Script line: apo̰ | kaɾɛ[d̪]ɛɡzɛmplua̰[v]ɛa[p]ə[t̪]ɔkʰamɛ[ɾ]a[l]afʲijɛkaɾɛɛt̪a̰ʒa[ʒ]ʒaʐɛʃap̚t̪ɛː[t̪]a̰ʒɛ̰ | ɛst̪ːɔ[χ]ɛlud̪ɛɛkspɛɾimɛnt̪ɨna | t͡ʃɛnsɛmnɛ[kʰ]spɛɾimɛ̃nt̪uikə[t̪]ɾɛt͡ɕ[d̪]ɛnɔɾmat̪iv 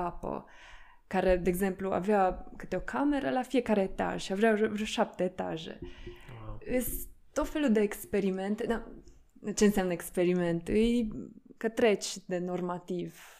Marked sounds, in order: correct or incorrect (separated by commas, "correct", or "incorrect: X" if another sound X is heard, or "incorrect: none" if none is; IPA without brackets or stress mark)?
correct, correct, incorrect: k, correct, correct, correct, incorrect: v, correct, incorrect: f, incorrect: k, correct, correct